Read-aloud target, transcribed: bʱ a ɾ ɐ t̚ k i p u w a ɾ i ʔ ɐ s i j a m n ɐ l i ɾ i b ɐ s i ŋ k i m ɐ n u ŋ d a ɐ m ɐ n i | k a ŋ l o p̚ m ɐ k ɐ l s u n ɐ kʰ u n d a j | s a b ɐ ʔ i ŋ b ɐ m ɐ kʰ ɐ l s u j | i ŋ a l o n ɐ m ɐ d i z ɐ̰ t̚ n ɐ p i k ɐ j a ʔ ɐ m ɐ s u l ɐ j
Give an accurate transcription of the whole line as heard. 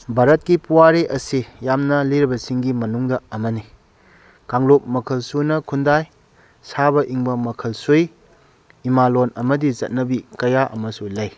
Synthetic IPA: bʱ a ɾ ɐ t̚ k i p u w a ɾ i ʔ ɐ s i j a m n ɐ l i ɾ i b ɐ s i ŋ ɡ i m ɐ n u ŋ d ɐ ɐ m ɐ n i | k a ŋ l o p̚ m ɐ kʰ ɐ l s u n ɐ kʰ u n d a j | s a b ɐ ʔ i ŋ b ɐ m ɐ kʰ ɐ l s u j | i m a l o n ɐ m ɐ d i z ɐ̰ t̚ n ɐ b i k ɐ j a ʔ ɐ m ɐ s u l ɐ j

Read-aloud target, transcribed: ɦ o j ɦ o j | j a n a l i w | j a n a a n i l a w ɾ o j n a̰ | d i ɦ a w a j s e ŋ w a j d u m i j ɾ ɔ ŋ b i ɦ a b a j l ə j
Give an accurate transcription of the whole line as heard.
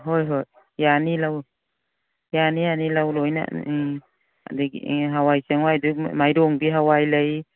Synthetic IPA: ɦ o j ɦ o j | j a n i l a w | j a n i a n i l a w l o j n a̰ | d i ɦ a w a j s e ŋ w a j d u m a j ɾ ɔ ŋ b i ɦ a w a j l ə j

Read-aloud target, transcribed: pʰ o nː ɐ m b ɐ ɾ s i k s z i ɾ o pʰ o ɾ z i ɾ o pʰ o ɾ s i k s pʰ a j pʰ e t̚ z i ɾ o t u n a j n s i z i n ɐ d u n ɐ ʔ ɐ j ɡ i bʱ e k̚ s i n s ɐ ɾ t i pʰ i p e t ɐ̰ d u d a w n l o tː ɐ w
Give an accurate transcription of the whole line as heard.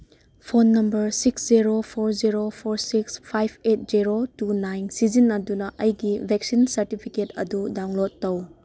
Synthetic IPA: pʰ o nː ɐ m b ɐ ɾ s i k s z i ɾ o pʰ o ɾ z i ɾ o pʰ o ɾ s i k s pʰ a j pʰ e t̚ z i ɾ o t u n a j n s i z i n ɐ d u n ɐ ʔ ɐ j ɡ i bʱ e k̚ s i n s ɐ ɾ t i pʰ i k e t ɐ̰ d u d a w ŋ l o tː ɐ w

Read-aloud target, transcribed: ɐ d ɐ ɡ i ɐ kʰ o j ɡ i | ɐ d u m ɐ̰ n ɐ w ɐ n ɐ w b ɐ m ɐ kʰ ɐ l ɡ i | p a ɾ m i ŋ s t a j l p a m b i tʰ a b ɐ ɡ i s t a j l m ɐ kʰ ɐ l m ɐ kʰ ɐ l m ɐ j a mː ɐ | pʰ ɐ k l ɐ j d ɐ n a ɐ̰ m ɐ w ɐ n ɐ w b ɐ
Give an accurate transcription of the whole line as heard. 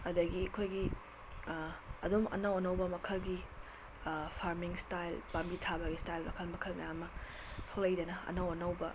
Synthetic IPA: ɐ d ɐ ɡ i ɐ kʰ o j ɡ i | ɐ d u m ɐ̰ n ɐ w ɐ n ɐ w b ɐ m ɐ kʰ ɐ l ɡ i | pʰ a ɾ m i ŋ s t a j l p a m b i tʰ a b ɐ ɡ i s t a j l m ɐ kʰ ɐ l m ɐ kʰ ɐ l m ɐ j a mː ɐ | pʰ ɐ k l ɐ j d ɐ n ɐ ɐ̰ n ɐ w ɐ n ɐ w b ɐ

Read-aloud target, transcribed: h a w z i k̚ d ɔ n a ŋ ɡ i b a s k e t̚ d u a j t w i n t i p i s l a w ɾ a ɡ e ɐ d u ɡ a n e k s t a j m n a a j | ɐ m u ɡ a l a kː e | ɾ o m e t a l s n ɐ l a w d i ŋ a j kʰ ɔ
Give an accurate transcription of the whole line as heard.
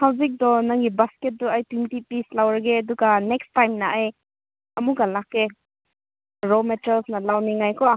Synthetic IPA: h a w z i k̚ d ɔ n a ŋ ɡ i b a s k e t̚ d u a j t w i n t i p i s l a w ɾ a ɡ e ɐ d u ɡ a n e k s t a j m n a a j | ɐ m u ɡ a l a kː e | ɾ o m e t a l s n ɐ l a w n i ŋ a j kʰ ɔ

